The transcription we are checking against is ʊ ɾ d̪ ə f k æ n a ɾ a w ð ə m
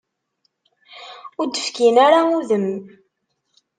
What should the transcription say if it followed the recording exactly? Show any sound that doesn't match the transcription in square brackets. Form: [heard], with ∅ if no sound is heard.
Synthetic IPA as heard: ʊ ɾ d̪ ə f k [i] n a ɾ a [u] ð ə m